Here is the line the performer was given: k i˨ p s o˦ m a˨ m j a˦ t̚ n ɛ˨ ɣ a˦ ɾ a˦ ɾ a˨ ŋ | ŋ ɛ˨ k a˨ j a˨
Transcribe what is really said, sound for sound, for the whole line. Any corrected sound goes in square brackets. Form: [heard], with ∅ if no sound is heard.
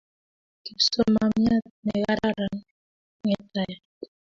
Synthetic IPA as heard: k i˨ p s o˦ m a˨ m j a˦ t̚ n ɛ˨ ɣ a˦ ɾ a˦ ɾ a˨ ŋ | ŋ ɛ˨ [t] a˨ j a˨